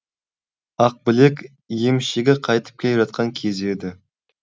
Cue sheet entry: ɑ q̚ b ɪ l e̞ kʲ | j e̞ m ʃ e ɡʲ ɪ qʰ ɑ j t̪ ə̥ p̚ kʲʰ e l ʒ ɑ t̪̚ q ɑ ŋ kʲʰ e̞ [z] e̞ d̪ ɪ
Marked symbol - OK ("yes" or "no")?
yes